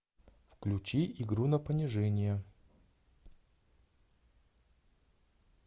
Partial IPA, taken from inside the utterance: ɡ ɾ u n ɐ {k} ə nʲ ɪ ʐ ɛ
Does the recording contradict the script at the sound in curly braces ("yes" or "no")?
yes